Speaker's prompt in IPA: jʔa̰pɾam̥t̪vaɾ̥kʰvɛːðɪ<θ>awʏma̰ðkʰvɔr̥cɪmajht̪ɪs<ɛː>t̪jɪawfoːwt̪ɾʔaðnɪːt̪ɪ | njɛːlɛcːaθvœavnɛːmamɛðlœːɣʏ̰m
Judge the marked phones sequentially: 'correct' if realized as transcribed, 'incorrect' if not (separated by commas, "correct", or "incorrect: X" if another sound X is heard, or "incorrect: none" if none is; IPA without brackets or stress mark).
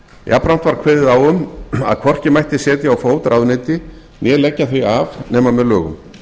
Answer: incorrect: ð, correct